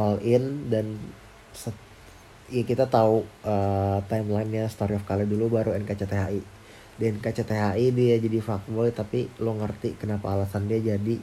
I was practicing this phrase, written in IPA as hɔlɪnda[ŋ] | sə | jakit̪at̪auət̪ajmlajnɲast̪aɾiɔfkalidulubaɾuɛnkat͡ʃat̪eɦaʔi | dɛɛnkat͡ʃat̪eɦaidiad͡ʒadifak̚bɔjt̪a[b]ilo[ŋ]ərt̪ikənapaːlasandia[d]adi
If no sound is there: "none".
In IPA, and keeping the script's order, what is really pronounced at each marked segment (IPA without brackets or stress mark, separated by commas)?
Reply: n, p, ŋ, d͡ʒ